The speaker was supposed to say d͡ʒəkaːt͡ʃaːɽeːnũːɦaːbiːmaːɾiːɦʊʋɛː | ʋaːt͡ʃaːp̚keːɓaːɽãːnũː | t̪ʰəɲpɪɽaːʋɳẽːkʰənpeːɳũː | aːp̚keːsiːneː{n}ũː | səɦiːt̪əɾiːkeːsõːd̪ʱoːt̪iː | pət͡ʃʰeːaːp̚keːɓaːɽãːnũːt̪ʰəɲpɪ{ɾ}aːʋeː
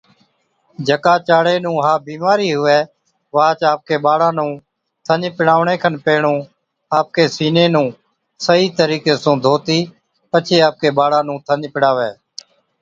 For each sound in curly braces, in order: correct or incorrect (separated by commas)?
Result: correct, incorrect